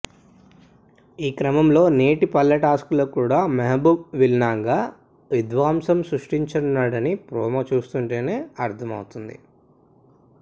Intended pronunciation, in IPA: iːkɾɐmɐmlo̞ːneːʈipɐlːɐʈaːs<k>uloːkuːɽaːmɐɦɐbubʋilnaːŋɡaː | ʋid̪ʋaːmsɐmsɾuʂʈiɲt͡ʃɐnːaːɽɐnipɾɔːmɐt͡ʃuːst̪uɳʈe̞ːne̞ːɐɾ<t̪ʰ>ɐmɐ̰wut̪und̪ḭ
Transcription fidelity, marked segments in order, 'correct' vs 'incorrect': correct, correct

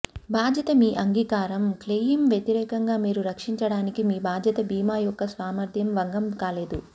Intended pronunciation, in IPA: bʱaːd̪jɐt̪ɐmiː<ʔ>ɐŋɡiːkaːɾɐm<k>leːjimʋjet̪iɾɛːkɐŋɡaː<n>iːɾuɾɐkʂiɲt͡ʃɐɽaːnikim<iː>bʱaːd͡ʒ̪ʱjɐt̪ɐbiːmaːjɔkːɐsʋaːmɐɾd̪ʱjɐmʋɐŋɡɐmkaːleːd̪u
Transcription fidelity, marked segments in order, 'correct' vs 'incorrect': correct, correct, incorrect, correct

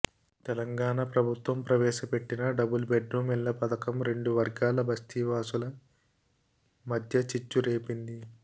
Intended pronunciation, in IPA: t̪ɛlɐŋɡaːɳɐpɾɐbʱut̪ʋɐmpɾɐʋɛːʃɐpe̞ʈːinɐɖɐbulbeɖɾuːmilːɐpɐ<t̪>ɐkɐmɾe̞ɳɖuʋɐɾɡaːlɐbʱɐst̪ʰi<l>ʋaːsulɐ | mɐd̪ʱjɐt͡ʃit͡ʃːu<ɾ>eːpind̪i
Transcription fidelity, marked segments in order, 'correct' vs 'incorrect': incorrect, incorrect, correct

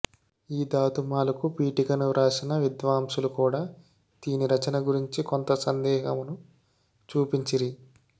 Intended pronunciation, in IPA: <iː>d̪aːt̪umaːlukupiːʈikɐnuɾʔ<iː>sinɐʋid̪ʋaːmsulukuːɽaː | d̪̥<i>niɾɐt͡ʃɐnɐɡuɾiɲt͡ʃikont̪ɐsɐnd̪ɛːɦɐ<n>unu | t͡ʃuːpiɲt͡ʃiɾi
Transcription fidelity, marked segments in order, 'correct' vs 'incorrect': correct, incorrect, incorrect, incorrect

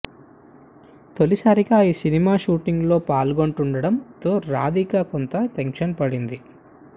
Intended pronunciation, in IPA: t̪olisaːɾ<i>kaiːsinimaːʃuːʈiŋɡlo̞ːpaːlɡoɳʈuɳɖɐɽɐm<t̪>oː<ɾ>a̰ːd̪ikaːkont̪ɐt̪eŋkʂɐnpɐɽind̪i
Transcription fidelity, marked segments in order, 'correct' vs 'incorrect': correct, correct, correct

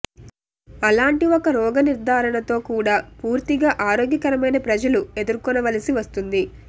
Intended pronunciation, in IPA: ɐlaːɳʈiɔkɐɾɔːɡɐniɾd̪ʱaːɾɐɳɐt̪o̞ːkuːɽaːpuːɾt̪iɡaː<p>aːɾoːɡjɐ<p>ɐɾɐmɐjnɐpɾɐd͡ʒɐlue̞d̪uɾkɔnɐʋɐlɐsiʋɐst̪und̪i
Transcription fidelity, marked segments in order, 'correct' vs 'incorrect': incorrect, incorrect

